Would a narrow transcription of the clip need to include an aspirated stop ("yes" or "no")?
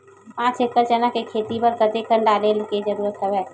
yes